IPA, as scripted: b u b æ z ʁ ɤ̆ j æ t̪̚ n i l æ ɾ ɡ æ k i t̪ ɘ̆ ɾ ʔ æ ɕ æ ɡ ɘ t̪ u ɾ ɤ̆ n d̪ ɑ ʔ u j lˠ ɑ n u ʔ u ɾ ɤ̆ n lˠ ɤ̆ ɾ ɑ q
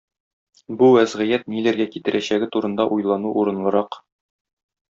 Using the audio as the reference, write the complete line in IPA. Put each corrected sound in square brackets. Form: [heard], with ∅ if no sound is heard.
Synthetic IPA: b u [w] æ z ʁ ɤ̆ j æ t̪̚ n i l æ ɾ ɡ æ k i t̪ ɘ̆ ɾ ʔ æ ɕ æ ɡ ɘ t̪ u ɾ ɤ̆ n d̪ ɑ ʔ u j lˠ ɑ n u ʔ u ɾ ɤ̆ n lˠ ɤ̆ ɾ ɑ q